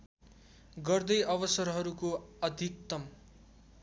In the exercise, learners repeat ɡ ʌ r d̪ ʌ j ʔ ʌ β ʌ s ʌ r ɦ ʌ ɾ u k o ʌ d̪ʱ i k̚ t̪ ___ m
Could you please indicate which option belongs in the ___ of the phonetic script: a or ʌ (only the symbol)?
ʌ